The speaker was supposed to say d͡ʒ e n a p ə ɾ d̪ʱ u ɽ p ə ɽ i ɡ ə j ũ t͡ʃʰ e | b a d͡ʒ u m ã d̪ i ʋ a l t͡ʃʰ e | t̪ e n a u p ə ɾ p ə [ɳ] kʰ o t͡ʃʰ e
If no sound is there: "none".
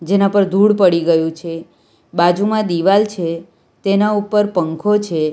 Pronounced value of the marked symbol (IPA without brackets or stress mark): ŋ